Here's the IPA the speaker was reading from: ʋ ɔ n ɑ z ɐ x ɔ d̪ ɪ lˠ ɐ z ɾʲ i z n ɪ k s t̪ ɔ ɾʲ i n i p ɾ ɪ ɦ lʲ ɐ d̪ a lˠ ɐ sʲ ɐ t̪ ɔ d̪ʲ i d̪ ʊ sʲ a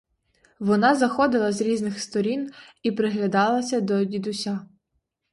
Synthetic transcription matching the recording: ʋ ɔ n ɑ z ɐ x ɔ d̪ ɪ lˠ ɐ z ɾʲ i z n ɪ x s t̪ ɔ ɾʲ i n i p ɾ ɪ ɦ lʲ ɐ d̪ ɑ lˠ ɐ sʲ ɐ d̪ ɔ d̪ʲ i d̪ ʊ sʲ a